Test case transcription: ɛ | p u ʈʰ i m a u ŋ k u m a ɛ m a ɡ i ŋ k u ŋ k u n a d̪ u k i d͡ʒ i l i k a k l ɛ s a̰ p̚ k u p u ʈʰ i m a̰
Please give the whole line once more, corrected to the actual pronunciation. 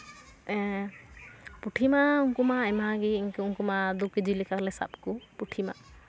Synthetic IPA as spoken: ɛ | p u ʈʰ i m a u ŋ k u m a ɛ m a ɡ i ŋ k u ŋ k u m a d̪ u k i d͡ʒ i l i k a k l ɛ s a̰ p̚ k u p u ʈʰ i m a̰